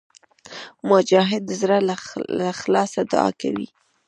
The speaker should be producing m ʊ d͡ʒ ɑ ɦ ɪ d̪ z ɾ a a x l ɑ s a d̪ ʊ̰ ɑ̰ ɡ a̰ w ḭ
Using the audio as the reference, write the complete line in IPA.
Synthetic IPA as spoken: m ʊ d͡ʒ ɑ ɦ ɪ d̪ z ɾ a a x l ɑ s a d̪ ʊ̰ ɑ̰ k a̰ w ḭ